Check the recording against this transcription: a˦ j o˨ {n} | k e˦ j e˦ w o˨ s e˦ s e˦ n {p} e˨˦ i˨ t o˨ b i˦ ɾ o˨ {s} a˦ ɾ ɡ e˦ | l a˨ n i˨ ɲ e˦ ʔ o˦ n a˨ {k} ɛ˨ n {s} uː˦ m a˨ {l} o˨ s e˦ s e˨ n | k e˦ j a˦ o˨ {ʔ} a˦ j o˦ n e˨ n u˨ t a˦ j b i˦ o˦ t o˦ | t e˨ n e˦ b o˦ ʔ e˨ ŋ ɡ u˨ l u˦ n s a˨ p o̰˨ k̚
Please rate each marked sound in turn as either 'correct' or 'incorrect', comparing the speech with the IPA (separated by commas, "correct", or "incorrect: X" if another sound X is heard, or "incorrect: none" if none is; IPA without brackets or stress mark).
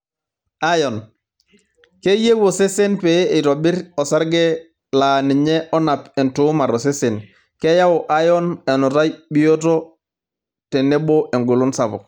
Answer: correct, correct, correct, incorrect: p, incorrect: t, incorrect: ɾ, correct